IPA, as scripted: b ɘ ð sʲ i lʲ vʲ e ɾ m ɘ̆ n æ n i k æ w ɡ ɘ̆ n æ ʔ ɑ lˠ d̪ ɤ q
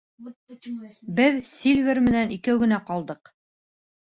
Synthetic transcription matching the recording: b ɘ ð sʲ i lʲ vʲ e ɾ m ɘ̆ n æ n i k æ w ɡ ɘ̆ n æ q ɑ lˠ d̪ ɤ q